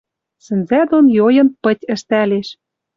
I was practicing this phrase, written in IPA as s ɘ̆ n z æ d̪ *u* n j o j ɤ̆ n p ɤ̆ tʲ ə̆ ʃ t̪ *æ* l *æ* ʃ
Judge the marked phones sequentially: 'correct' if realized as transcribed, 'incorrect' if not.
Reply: incorrect: o, correct, incorrect: e

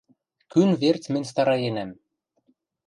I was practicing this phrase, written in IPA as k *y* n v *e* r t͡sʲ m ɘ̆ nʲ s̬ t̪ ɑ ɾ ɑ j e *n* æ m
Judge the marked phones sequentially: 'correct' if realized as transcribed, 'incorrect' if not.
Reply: correct, correct, correct

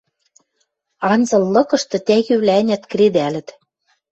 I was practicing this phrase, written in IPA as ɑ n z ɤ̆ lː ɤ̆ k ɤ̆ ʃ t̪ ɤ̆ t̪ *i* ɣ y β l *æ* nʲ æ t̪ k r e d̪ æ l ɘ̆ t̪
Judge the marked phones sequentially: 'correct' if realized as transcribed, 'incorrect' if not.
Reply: incorrect: æ, correct

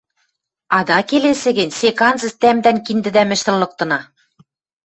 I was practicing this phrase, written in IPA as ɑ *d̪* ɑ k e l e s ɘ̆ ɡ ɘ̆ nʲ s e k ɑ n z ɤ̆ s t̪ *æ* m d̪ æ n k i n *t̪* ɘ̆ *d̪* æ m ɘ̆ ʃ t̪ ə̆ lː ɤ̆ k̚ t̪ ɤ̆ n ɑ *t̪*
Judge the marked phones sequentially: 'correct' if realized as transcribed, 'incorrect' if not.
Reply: correct, correct, incorrect: d̪, correct, incorrect: none

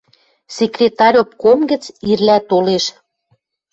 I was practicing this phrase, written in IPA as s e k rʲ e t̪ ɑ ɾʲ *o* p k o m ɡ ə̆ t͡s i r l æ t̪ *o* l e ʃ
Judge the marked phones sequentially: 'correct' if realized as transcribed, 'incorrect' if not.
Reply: correct, correct

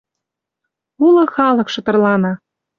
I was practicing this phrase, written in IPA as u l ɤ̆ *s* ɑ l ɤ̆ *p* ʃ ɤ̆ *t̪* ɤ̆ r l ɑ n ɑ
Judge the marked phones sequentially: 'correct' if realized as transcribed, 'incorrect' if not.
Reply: incorrect: x, incorrect: k, correct

